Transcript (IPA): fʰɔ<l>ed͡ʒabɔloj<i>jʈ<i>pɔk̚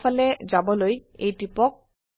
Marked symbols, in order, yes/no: yes, no, yes

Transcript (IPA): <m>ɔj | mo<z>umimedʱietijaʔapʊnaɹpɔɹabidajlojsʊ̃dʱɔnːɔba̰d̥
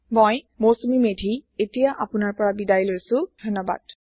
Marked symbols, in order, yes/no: yes, no

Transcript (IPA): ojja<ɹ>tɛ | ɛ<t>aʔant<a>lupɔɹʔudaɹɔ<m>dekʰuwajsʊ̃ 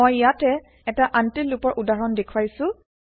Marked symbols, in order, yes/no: no, yes, no, no

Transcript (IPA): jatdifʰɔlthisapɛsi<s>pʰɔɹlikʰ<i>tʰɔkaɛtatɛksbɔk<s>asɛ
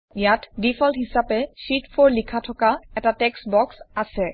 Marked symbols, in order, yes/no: no, no, yes

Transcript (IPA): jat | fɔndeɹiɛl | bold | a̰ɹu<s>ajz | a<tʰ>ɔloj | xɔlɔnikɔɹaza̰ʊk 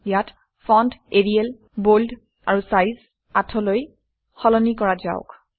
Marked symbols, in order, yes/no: yes, yes

